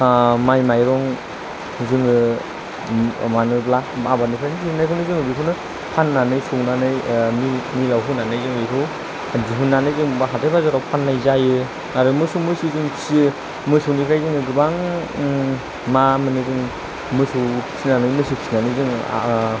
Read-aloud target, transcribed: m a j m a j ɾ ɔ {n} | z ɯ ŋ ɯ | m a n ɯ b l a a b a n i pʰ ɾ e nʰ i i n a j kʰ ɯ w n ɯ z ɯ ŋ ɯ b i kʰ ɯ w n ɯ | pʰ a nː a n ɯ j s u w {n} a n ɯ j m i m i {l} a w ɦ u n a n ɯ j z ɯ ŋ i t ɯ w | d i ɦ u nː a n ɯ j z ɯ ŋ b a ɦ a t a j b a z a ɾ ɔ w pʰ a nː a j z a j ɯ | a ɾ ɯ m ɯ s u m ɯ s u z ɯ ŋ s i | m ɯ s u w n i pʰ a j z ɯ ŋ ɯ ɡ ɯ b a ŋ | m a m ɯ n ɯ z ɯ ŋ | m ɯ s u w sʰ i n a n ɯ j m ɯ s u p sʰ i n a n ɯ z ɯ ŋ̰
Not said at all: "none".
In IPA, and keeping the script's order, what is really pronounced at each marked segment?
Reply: ŋ, n, l

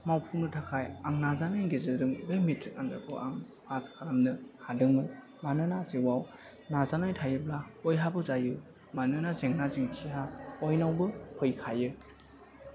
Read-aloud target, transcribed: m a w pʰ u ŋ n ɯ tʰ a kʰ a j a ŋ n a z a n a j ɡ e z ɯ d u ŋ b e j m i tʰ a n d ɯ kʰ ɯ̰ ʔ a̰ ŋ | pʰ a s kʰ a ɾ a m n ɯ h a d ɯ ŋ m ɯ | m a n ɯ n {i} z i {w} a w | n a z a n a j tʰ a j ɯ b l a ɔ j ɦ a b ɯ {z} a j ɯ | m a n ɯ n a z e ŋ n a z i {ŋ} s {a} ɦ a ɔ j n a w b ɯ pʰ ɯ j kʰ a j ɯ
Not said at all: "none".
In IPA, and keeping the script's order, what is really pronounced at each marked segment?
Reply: a, w, z, ŋ, i

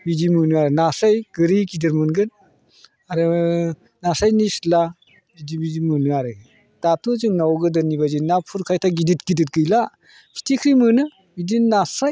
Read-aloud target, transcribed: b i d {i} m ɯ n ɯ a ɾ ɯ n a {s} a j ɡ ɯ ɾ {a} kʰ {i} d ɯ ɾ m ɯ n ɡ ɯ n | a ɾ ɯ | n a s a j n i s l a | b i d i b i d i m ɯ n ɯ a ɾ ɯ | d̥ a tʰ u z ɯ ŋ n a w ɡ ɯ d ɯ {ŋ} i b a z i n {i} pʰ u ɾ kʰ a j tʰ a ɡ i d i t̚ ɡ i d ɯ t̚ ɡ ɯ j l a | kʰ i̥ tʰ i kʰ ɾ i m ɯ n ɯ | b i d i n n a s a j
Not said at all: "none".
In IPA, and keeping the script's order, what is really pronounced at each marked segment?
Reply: i, s, i, i, n, a

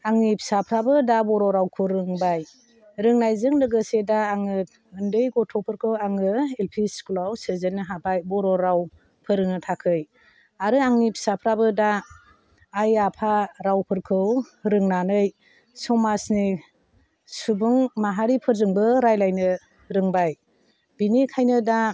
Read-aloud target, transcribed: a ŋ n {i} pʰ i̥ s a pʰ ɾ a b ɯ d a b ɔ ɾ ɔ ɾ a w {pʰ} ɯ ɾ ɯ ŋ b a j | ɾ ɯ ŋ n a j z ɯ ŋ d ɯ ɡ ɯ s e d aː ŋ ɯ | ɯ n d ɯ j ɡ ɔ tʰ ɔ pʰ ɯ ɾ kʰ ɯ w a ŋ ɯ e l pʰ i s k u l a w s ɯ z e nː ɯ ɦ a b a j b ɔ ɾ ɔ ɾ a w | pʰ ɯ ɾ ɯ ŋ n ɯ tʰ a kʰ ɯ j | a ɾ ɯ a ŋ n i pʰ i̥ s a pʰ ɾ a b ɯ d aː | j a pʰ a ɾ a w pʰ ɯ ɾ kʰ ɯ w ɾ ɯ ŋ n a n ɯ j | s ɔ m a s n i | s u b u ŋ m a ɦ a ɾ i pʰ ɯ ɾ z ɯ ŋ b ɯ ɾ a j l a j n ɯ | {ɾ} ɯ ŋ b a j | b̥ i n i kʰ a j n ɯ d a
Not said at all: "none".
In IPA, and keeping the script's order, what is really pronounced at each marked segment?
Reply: i, kʰ, ɾ

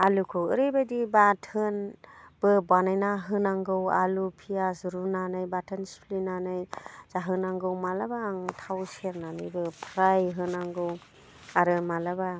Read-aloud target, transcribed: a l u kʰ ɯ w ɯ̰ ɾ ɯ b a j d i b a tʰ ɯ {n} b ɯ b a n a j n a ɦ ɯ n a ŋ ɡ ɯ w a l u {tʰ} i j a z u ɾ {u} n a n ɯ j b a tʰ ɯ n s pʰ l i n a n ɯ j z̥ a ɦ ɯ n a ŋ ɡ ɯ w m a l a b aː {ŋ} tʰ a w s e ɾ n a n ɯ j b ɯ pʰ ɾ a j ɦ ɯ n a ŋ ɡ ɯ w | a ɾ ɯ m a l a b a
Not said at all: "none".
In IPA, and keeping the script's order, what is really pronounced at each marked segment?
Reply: n, pʰ, u, ŋ

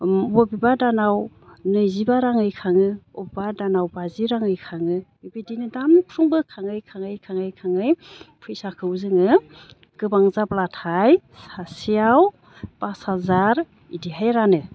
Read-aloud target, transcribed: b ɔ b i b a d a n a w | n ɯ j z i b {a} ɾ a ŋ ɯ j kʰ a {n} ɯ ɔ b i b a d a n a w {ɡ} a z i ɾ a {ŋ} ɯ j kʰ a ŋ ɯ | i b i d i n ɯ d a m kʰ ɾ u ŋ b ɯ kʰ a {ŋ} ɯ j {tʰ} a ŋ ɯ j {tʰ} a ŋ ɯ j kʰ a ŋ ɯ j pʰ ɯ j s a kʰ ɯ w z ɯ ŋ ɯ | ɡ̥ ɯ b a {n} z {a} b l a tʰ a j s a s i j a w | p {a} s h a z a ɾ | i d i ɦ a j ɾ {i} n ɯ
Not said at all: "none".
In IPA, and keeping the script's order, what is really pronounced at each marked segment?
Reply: a, ŋ, b, ŋ, ŋ, kʰ, kʰ, ŋ, a, a, a

